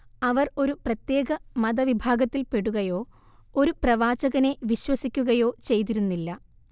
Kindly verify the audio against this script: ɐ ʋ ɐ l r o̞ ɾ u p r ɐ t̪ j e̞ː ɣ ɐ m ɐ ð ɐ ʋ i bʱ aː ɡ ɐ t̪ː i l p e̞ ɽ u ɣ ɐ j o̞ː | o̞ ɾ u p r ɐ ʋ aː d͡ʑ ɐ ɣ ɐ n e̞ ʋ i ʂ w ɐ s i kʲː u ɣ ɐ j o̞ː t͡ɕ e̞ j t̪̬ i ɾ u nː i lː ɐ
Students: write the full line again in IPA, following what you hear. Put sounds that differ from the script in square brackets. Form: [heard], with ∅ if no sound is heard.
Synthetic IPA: ɐ ʋ ɐ [∅] r o̞ ɾ u p r ɐ t̪ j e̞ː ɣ ɐ m ɐ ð ɐ ʋ i bʱ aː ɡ ɐ t̪ː i l p e̞ ɽ u ɣ ɐ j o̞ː | o̞ ɾ u p r ɐ ʋ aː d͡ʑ ɐ ɣ ɐ n e̞ ʋ i [ɕ] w ɐ s i kʲː u ɣ ɐ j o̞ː t͡ɕ e̞ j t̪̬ i ɾ u nː i lː ɐ